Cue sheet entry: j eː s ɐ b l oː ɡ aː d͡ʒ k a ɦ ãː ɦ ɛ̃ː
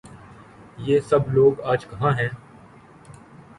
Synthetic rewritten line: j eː s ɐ b l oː ɡ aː d͡ʒ k ɐ ɦ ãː ɦ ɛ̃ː